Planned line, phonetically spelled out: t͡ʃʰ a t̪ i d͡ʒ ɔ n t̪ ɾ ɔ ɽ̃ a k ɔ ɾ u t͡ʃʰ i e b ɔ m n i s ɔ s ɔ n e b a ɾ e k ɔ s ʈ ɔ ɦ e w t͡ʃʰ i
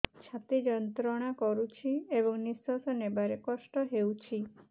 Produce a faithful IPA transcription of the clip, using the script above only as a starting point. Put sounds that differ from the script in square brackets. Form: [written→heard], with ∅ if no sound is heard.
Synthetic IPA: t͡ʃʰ a t̪ i d͡ʒ ɔ n t̪ ɾ ɔ ɽ̃ a k ɔ ɾ u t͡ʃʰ i e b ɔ [m→ŋ] n i s ɔ s ɔ n e b a ɾ e k ɔ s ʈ ɔ ɦ e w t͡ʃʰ i